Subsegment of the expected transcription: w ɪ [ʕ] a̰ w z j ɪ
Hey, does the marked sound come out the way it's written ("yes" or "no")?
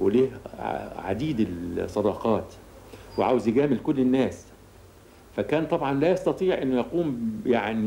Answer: yes